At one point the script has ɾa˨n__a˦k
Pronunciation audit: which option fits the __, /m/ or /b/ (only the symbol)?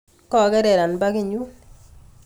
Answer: b